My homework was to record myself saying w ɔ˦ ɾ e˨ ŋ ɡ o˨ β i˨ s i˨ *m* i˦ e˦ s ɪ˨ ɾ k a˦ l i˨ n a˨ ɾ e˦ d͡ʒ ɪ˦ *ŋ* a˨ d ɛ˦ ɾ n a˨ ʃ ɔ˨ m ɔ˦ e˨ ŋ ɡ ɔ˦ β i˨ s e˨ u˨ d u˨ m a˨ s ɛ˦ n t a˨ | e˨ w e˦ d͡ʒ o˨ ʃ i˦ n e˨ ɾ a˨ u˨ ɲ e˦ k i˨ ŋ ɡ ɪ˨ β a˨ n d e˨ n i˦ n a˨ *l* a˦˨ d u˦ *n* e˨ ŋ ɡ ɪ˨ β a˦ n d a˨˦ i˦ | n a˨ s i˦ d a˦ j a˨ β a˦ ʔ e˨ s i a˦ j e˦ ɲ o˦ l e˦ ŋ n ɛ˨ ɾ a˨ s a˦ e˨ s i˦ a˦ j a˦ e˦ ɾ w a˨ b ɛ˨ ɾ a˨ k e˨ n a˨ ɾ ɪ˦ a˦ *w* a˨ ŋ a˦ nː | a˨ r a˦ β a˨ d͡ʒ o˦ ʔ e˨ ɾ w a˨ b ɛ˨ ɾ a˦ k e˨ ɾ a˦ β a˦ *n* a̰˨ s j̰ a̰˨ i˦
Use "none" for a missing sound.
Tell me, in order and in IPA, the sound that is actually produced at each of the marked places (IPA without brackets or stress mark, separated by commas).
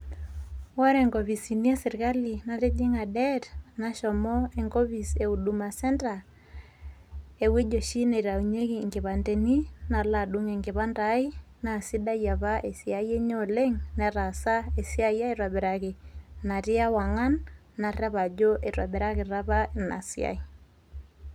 n, ŋ, l, ŋ, w, n